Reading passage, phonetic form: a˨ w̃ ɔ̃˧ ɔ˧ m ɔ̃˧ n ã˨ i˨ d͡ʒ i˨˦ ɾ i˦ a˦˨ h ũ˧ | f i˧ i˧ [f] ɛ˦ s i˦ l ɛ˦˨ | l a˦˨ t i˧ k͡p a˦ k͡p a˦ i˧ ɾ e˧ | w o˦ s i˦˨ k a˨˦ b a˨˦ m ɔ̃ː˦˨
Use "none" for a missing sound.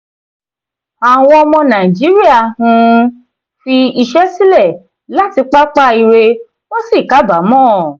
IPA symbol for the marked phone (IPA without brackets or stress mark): ʃ